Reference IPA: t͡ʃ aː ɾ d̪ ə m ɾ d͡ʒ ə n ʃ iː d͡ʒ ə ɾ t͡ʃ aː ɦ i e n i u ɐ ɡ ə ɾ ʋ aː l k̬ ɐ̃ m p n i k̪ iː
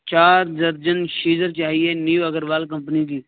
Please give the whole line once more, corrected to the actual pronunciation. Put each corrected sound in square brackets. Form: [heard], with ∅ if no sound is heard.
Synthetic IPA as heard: t͡ʃ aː ɾ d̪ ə [∅] ɾ d͡ʒ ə n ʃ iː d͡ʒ ə ɾ t͡ʃ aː ɦ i e n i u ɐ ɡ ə ɾ ʋ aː l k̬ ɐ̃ m p n i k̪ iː